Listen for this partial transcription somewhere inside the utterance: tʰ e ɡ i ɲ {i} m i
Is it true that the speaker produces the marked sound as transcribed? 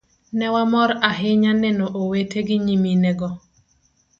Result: yes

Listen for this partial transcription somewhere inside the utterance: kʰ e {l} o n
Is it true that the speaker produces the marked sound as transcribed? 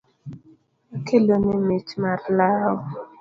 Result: yes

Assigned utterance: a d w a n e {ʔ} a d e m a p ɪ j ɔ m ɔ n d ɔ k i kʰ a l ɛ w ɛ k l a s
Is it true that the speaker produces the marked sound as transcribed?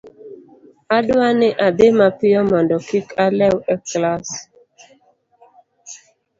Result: yes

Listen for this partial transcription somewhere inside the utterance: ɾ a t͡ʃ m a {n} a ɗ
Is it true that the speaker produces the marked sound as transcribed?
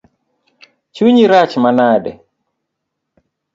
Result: yes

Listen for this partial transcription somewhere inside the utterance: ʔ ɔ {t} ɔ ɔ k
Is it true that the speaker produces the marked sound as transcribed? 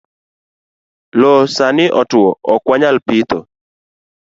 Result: yes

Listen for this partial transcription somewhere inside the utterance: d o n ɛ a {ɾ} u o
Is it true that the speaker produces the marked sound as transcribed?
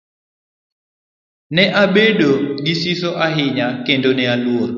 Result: no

